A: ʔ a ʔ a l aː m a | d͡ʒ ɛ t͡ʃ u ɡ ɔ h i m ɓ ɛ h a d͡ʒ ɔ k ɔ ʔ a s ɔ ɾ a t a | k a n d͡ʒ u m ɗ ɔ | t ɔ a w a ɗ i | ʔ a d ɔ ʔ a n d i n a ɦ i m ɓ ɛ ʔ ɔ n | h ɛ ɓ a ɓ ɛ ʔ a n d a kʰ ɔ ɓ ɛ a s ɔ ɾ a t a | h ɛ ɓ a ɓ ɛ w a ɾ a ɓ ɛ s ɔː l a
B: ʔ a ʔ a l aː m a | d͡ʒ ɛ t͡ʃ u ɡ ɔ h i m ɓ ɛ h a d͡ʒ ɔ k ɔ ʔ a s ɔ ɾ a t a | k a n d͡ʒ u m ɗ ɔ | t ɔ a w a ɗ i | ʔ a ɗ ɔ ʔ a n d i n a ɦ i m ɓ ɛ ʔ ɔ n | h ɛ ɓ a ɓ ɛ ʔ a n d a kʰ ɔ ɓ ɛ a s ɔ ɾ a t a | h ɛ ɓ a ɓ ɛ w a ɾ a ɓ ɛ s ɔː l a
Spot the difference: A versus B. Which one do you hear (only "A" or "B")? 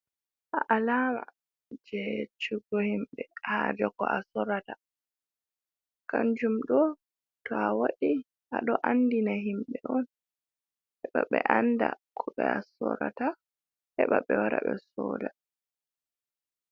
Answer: B